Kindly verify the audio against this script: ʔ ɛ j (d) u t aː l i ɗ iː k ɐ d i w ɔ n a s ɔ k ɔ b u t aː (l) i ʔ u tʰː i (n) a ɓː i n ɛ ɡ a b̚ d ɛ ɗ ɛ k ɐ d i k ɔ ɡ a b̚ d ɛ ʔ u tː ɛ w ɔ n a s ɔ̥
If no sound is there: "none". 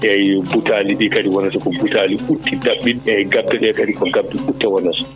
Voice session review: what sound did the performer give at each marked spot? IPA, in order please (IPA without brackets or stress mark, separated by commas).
b, l, d